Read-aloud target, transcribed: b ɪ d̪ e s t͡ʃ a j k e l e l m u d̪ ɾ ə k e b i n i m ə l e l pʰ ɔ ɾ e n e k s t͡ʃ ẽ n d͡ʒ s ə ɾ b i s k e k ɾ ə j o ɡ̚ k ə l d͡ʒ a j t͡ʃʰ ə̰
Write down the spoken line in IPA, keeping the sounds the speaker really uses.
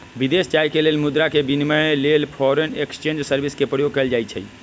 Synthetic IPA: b i d̪ e s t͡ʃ a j k e l e l m u d̪ ɾ a k e b i n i m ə l e l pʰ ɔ ɾ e n e k s t͡ʃ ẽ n d͡ʒ s ə ɾ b i s k e p ɾ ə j o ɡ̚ k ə l d͡ʒ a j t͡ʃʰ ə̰